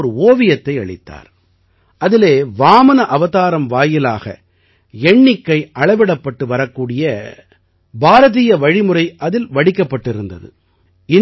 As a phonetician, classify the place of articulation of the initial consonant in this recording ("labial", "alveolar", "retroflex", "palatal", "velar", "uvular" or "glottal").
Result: alveolar